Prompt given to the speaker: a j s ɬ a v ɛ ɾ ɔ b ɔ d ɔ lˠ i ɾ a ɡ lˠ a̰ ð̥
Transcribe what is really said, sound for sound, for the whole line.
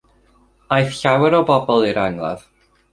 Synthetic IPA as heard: a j θ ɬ a w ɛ ɾ ɔ b ɔ b ɔ lˠ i ɾ a ŋ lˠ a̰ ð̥